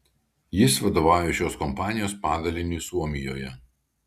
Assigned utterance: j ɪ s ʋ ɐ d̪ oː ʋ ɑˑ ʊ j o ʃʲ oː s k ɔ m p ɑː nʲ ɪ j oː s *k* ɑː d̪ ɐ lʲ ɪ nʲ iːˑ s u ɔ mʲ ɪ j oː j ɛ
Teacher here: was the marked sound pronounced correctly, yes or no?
no